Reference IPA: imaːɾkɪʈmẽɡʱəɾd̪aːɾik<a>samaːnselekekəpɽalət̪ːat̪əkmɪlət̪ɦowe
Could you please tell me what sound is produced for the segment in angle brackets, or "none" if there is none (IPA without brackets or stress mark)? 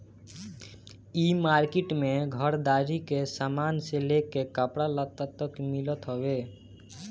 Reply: e